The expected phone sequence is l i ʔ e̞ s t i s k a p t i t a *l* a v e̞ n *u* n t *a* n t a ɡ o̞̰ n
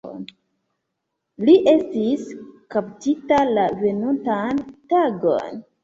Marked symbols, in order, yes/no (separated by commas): yes, yes, yes